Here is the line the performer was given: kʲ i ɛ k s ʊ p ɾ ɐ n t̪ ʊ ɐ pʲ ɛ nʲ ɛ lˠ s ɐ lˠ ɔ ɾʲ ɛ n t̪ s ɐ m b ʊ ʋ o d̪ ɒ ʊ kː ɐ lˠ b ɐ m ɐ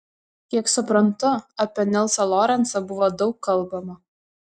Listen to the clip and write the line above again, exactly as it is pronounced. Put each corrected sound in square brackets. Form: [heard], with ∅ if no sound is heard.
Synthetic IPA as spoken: kʲ i ɛ k s ʊ p ɾ ɐ n t̪ ʊ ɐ pʲ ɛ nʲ ɛ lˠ s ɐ lˠ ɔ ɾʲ ɛ n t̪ s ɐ [∅] b ʊ ʋ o d̪ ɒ ʊ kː ɐ lˠ b ɐ m ɐ

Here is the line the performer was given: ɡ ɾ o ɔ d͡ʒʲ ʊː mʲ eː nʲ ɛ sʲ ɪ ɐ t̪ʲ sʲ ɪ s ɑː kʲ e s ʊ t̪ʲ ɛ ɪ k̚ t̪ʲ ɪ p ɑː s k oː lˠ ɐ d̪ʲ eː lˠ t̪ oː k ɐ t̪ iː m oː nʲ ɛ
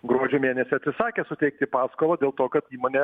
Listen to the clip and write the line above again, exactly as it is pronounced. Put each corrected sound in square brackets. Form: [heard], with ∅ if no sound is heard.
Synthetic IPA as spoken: ɡ ɾ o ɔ d͡ʒʲ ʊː mʲ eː nʲ ɛ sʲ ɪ ɐ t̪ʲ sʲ ɪ s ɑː kʲ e s ʊ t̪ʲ ɛ ɪ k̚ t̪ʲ ɪ p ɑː s k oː lˠ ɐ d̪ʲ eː lˠ t̪ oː k ɐ t̪ iː m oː nʲ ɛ

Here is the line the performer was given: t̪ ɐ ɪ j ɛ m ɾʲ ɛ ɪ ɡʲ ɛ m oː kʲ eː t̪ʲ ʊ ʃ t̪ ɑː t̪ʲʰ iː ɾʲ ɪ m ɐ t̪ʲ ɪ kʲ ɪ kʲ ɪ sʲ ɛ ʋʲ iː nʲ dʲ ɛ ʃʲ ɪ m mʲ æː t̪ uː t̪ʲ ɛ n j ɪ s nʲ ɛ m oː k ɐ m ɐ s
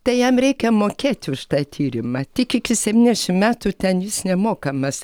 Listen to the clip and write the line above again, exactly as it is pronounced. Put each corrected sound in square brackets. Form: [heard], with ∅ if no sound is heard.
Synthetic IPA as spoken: t̪ ɐ ɪ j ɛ m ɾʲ ɛ ɪ [kʲ] ɛ m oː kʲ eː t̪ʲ ʊ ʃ t̪ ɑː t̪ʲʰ iː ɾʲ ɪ m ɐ t̪ʲ ɪ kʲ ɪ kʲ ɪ sʲ ɛ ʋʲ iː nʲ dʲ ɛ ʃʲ ɪ m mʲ æː t̪ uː t̪ʲ ɛ n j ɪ s nʲ ɛ m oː k ɐ m ɐ s

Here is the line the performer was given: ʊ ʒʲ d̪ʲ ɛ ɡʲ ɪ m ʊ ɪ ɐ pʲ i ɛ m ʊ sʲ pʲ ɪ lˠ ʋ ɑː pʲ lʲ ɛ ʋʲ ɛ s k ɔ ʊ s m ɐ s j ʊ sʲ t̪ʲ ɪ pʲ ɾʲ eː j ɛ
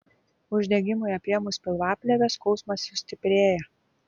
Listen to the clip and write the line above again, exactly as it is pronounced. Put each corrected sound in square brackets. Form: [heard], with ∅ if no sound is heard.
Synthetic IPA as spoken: ʊ ʒʲ d̪ʲ ɛ ɡʲ ɪ m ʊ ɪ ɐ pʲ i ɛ m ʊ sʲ pʲ ɪ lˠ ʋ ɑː pʲ lʲ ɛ ʋʲ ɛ s k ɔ ʊ s m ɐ s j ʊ sʲ t̪ʲ ɪ pʲ ɾʲ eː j ɛ

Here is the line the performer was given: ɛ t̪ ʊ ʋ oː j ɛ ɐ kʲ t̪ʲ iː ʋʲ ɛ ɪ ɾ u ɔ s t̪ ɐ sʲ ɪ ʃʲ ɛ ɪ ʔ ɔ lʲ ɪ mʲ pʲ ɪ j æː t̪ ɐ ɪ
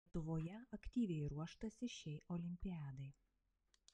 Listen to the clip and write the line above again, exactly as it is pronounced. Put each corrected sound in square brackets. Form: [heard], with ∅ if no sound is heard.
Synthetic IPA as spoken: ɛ t̪ ʊ ʋ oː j ɛ ɐ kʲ t̪ʲ iː ʋʲ ɛ ɪ ɾ u ɔ [ʃ] t̪ ɐ sʲ ɪ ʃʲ ɛ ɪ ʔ ɔ lʲ ɪ mʲ pʲ ɪ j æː [d̪] ɐ ɪ

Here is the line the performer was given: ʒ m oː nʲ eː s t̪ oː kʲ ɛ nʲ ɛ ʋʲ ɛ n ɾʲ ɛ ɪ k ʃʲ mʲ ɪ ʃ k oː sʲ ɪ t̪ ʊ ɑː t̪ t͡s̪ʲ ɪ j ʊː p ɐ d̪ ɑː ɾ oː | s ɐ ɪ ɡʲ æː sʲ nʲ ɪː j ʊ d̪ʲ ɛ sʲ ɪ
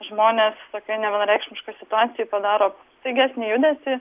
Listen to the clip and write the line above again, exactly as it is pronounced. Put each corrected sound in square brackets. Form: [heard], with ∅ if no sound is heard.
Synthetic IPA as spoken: ʒ m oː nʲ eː s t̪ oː kʲ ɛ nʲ ɛ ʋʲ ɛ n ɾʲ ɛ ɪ k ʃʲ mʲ ɪ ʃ k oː sʲ ɪ t̪ ʊ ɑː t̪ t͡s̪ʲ ɪ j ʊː p ɐ d̪ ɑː ɾ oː | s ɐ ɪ ɡʲ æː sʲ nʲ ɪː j ʊ d̪ʲ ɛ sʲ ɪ

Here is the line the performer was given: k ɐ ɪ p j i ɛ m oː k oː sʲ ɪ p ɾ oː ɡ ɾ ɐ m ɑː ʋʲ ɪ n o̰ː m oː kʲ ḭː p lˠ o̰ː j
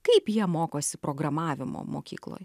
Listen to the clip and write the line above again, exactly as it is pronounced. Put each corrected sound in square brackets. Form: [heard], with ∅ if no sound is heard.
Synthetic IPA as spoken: k ɐ ɪ p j i ɛ m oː k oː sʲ ɪ p ɾ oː ɡ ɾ ɐ m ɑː ʋʲ ɪ [m] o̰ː m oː kʲ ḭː [k] lˠ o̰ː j

